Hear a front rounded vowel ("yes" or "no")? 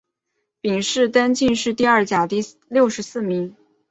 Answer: no